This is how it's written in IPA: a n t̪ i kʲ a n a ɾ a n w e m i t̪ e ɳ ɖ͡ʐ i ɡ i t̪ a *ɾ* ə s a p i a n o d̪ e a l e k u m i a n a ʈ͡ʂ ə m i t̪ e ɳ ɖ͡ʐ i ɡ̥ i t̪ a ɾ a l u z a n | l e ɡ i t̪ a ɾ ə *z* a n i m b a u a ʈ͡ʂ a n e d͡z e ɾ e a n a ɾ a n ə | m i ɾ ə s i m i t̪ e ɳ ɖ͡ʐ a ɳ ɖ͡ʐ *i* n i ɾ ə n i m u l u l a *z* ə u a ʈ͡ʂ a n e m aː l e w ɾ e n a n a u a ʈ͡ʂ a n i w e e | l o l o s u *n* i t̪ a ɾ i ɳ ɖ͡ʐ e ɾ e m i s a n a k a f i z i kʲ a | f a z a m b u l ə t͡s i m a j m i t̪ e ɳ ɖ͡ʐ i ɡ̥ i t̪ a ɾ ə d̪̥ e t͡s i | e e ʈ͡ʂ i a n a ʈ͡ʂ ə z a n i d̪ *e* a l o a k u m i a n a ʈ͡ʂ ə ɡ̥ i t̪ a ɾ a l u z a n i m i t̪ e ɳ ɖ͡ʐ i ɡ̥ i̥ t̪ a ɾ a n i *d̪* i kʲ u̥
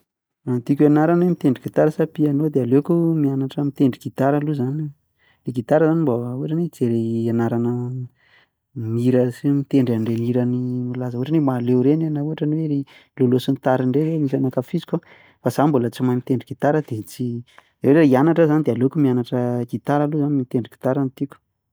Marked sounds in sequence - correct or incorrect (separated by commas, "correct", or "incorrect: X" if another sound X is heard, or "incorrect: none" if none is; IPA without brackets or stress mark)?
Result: correct, correct, incorrect: e, correct, correct, correct, incorrect: t̪